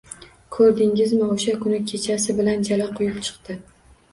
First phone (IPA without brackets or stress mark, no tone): kʰ